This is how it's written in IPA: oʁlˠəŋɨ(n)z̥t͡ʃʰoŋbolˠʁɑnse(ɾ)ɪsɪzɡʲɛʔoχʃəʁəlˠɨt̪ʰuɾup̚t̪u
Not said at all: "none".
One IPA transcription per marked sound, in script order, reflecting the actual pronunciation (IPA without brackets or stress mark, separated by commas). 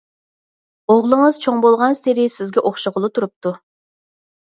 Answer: none, ɾ